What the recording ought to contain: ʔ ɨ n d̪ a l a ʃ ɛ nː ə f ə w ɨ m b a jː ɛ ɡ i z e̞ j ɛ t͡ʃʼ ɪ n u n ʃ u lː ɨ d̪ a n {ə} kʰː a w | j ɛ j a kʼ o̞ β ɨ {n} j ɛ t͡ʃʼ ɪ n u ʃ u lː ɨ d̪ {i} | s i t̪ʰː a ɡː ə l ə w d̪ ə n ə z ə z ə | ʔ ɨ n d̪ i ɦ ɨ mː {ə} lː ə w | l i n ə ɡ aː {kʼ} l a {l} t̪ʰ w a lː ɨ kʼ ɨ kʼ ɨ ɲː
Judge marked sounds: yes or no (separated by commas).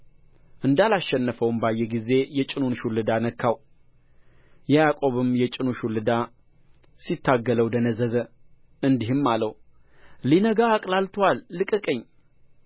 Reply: yes, no, no, no, yes, yes